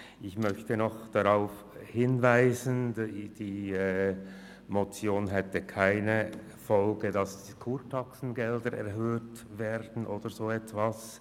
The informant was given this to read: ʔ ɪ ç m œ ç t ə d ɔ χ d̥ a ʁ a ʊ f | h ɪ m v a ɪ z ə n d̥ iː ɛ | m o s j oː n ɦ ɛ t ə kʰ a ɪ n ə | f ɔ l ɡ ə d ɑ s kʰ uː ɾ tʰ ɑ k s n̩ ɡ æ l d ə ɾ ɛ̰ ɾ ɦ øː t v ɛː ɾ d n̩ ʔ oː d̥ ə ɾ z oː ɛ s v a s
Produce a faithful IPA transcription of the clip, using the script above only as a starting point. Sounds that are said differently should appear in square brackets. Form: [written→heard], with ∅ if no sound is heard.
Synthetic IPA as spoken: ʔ ɪ ç m œ ç t ə [d→n] ɔ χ d̥ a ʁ a ʊ f | h ɪ [m→n] v a ɪ z ə n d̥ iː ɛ | m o [s→t͡s] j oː n ɦ ɛ t ə kʰ a ɪ n ə | f ɔ l ɡ ə d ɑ s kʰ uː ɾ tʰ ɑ k s n̩ ɡ [æ→ɛ] l d ə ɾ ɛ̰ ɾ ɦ øː t v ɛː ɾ d n̩ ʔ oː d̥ ə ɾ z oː ɛ [s→t] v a s